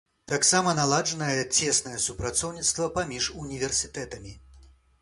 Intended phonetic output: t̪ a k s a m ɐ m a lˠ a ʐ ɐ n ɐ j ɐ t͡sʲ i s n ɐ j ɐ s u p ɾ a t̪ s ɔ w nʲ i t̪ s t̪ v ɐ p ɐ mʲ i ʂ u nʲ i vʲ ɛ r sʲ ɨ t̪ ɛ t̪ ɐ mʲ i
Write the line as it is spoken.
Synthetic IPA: t̪ a k s a m ɐ n a lˠ a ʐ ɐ n ɐ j ɐ t͡sʲ ɛ s n ɐ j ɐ s u p ɾ a t̪ s ɔ w nʲ i t̪ s t̪ v ɐ p a mʲ i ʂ u nʲ i vʲ ɛ r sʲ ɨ t̪ ɛ t̪ ɐ mʲ i

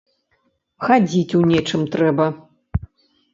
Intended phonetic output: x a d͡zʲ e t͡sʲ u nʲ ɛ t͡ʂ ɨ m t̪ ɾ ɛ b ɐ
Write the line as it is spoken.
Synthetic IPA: x a d͡zʲ i t͡sʲ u nʲ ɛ t͡ʂ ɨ m t̪ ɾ ɛ b ɐ

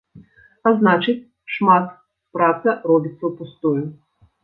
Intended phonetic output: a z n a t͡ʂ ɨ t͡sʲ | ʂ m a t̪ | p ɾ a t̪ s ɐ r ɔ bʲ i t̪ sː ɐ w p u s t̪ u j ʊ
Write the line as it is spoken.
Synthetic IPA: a z n a t͡ʂ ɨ t͡sʲ | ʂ m a t̪ | p ɾ a t̪ s ɐ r ɔ bʲ i t̪ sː ɐ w p u s t̪ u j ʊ

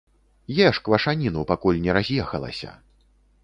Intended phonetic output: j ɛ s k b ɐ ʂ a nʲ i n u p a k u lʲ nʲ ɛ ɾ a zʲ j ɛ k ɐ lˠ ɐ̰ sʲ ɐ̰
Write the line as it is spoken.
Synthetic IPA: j ɛ ʂ k v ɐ ʂ a nʲ i n u p a k u lʲ nʲ ɛ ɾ a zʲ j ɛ x ɐ lˠ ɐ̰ sʲ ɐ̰

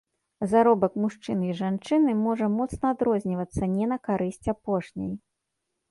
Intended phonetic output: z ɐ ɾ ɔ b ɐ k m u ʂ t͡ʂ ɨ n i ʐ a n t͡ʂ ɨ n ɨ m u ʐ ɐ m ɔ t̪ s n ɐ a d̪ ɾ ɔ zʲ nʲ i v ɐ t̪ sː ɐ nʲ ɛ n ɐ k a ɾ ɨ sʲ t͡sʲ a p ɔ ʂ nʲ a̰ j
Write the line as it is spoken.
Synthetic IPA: z a ɾ ɔ b ɐ k m u ʂ t͡ʂ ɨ n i ʐ a n t͡ʂ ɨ n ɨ m ɔ ʐ ɐ m ɔ t̪ s n ɐ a d̪ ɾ ɔ zʲ nʲ i v ɐ t̪ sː ɐ nʲ ɛ n ɐ k a ɾ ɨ sʲ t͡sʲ a p ɔ ʂ nʲ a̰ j

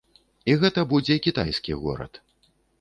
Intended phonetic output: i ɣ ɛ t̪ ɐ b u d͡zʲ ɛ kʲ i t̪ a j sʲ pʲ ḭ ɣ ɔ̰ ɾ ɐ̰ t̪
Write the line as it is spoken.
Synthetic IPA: i ɣ ɛ t̪ ɐ b u d͡zʲ ɛ kʲ i t̪ a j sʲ kʲ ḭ ɣ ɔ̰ ɾ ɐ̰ t̪

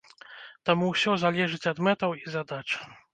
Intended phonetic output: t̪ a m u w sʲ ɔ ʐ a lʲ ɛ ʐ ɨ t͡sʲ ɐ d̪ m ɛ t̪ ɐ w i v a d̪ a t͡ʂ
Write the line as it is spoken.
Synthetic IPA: t̪ a m u w sʲ ɔ z a lʲ ɛ ʐ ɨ t͡sʲ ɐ d̪ m ɛ t̪ ɐ w i z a d̪ a t͡ʂ

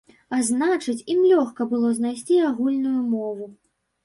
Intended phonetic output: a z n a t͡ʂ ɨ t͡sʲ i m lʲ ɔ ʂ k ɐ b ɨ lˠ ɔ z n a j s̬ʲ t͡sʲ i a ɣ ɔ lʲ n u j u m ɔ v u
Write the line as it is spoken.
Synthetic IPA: a z n a t͡ʂ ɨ t͡sʲ i m lʲ ɔ x k ɐ b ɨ lˠ ɔ z n a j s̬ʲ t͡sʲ i a ɣ u lʲ n u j u m ɔ v u

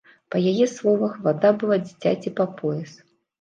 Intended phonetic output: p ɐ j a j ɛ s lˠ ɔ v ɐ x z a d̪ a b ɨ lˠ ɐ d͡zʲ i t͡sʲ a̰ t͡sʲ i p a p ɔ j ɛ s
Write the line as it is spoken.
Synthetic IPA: p ɐ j a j ɛ s lˠ ɔ v ɐ x v a d̪ a b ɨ lˠ a d͡zʲ i t͡sʲ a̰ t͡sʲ i p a p ɔ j ɛ s

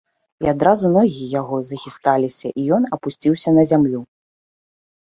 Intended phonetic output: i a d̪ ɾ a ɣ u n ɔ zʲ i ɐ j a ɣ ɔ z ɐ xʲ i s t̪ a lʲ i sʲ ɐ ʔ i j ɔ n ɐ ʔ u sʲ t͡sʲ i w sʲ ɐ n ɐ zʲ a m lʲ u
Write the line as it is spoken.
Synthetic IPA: i a d̪ ɾ a z u n ɔ ɣʲ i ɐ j a ɣ ɔ z ɐ xʲ i s t̪ a lʲ i sʲ ɐ ʔ i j ɔ n ɐ p u sʲ t͡sʲ i w sʲ ɐ n ɐ zʲ a m lʲ u

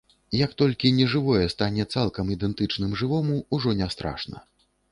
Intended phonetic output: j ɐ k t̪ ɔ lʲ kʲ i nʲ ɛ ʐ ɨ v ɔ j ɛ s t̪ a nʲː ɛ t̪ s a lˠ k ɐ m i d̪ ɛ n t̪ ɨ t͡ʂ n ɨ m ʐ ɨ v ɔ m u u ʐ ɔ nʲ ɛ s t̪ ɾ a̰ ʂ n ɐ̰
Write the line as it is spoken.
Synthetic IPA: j ɐ k t̪ ɔ lʲ kʲ i nʲ ɛ ʐ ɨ v ɔ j ɛ s t̪ a nʲ ɛ t̪ s a lˠ k ɐ m i d̪ ɛ n t̪ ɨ t͡ʂ n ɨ m ʐ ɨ v ɔ m u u ʐ ɔ nʲ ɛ s t̪ ɾ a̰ ʂ n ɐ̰

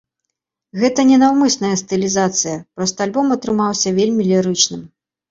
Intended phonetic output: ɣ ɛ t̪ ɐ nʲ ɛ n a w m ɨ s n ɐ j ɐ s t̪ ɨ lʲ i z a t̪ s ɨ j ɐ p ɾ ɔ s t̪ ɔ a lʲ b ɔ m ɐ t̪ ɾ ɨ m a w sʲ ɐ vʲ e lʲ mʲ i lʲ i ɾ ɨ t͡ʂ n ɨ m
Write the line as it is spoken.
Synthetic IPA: ɣ ɛ t̪ ɐ nʲ ɛ n a w m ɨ s n ɐ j ɐ s t̪ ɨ lʲ i z a t̪ s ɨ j ɐ p ɾ ɔ s t̪ ɔ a lʲ b ɔ m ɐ t̪ ɾ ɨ m a w sʲ ɐ vʲ e lʲ mʲ i lʲ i ɾ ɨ t͡ʂ n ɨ m

